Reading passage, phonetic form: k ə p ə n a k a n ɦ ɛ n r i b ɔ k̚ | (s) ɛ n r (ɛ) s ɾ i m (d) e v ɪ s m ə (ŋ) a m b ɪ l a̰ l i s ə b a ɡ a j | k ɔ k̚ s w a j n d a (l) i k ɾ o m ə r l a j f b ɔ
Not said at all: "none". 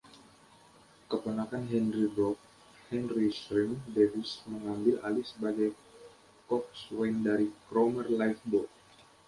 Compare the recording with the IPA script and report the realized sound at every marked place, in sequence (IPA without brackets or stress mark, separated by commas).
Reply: h, i, d, ŋ, ɾ